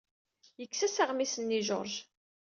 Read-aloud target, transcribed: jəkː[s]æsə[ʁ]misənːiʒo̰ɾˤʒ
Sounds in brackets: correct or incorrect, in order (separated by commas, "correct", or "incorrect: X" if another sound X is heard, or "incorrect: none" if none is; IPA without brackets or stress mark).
correct, correct